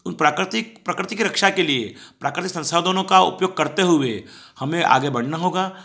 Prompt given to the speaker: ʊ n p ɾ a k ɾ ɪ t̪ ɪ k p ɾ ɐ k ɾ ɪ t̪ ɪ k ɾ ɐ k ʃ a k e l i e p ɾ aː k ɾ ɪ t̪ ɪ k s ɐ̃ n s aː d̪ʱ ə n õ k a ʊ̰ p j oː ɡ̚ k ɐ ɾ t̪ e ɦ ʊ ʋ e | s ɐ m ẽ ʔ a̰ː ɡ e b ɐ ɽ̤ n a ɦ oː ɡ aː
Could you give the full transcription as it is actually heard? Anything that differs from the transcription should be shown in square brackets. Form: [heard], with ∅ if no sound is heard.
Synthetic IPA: ʊ n p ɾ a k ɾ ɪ t̪ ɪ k p ɾ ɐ k ɾ ɪ t̪ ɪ k ɾ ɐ k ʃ a k e l i e p ɾ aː k ɾ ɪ t̪ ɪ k s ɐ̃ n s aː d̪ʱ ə n õ k a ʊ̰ p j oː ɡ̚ k ɐ ɾ t̪ e ɦ ʊ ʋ e | [h] ɐ m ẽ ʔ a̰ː ɡ e b ɐ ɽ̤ n a ɦ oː ɡ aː